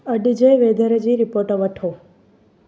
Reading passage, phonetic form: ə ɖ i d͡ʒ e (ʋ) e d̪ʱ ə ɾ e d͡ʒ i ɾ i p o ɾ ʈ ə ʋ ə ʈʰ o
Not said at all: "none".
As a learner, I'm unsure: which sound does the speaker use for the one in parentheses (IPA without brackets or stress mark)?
ʋ